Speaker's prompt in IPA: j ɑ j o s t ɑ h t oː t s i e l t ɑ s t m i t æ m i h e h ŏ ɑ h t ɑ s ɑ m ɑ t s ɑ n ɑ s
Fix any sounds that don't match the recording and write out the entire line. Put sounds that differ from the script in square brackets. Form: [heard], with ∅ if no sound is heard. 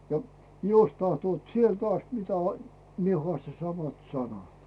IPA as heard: j ɑ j o s t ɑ h t oː t s i e l t ɑ s t m i t æ m i [∅] e h ŏ ɑ [s] t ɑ s ɑ m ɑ t s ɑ n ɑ [t]

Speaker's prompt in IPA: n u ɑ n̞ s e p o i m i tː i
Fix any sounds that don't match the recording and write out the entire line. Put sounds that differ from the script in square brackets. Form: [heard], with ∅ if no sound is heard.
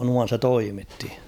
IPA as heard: n u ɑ n̞ s e [t] o i m i tː i

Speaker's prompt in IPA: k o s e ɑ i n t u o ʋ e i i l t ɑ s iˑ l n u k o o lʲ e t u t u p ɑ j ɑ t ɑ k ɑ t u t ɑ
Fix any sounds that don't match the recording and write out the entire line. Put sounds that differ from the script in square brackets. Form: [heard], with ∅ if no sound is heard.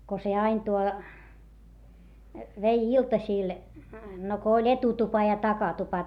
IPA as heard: k o s e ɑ i n t u o ʋ e i i l t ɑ s iˑ l n [o] k o o lʲ e t u t u p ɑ j ɑ t ɑ k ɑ t u [p] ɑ

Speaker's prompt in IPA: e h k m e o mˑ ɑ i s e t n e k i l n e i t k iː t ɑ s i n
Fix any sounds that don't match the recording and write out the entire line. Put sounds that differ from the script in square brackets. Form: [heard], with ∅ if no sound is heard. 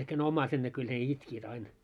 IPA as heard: e h k [n] e o mˑ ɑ i s e t n e k [y] l n e i t k iː t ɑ [∅] i n

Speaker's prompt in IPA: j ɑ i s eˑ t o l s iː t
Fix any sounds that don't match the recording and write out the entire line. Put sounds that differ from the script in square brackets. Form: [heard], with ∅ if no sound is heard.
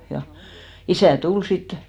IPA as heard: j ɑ i s [æˑ] t [u] l s [i] t

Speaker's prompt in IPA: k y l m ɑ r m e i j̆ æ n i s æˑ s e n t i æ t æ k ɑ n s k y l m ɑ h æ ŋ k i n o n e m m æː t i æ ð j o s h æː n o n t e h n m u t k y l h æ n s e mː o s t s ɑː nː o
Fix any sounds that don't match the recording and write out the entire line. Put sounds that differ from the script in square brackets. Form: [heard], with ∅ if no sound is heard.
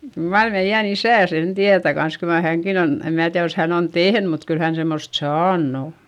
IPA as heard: k y l m ɑ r m e i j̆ æ n i s æˑ s e n t i æ t æ k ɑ n s k y l m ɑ h æ ŋ k i n o n e m m æː t i æ ð j o s h [æ] n o n t e h n m u t k y l h æ n s e mː o s t s ɑː nː o

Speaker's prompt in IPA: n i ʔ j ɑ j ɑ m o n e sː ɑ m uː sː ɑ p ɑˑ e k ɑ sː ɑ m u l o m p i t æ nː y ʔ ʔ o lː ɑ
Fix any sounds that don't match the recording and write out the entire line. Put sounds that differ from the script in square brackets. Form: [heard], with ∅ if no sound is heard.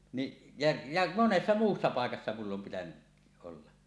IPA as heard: n i ʔ j ɑ j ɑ m o n e sː ɑ m uː sː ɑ p ɑˑ e k ɑ sː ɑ m u [lː] o m p i t æ [n] y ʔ ʔ o lː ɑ

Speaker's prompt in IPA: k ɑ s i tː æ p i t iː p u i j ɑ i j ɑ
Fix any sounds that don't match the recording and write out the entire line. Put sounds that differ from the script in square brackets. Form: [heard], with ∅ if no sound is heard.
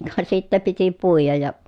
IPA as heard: k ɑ s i tː æ p i t [i] p u i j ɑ [j] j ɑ

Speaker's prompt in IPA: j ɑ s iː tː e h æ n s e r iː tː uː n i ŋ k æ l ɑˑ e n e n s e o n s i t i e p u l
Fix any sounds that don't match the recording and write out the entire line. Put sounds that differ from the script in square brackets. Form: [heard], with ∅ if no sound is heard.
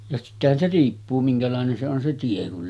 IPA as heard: j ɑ s [i] tː e h æ n s e r iː [pː] uː [m] i ŋ k æ l ɑˑ e n e n s e o n s [e] t i e [k] u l

